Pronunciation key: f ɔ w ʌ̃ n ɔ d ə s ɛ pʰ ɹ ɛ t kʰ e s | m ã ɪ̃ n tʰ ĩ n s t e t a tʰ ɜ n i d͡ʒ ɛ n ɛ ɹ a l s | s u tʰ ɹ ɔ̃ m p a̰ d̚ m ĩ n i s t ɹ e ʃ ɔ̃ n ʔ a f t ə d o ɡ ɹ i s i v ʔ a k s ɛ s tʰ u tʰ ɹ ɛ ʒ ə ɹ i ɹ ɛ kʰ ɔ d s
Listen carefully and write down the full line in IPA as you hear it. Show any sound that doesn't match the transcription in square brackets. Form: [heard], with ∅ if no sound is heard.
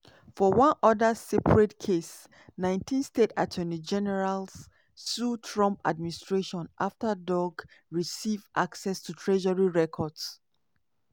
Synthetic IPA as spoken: f ɔ w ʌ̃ n ɔ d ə s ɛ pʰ ɹ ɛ t kʰ e s | [n] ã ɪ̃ n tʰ ĩ n s t e t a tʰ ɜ n i d͡ʒ ɛ n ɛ ɹ a l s | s u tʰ ɹ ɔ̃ m p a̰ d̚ m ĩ n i s t ɹ e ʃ ɔ̃ n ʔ a f t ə d [ɔ] ɡ ɹ i s i v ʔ a k s ɛ s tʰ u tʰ ɹ ɛ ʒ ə ɹ i ɹ ɛ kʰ ɔ d s